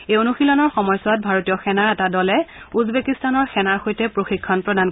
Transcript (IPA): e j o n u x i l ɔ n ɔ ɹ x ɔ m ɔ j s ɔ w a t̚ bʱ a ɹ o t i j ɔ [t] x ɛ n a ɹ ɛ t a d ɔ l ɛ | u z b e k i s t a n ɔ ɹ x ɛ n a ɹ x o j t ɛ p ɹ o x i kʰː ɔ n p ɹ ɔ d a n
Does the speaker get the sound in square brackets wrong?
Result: yes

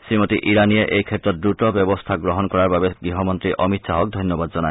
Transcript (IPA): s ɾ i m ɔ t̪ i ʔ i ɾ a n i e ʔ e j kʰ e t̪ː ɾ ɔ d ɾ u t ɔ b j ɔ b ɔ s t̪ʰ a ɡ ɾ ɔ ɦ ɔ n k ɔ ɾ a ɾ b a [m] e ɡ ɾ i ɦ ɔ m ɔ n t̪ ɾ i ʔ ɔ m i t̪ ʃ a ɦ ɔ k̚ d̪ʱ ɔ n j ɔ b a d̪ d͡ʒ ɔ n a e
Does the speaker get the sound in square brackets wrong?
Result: yes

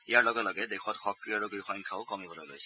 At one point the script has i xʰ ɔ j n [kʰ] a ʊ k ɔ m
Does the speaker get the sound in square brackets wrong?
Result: no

